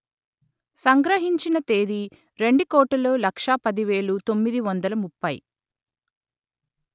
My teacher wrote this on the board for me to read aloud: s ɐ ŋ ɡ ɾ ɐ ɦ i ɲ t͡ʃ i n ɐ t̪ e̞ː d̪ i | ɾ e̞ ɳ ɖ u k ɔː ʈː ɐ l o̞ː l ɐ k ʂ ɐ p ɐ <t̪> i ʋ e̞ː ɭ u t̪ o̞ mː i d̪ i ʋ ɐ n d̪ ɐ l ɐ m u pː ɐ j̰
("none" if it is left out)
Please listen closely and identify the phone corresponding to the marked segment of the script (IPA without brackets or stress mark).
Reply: d̪